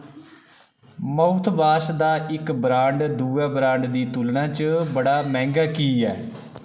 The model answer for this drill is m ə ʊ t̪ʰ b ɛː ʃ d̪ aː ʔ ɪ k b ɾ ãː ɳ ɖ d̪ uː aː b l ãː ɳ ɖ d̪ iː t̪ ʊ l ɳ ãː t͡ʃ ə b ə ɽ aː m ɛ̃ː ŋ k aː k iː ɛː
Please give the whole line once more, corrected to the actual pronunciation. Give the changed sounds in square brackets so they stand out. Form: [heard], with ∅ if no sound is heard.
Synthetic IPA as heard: m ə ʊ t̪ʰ b [aː] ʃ d̪ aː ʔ ɪ k b ɾ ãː ɳ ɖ d̪ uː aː b [ɾ] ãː ɳ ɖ d̪ iː t̪ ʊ l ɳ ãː t͡ʃ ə b ə ɽ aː m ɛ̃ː ŋ [ɡ] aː k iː ɛː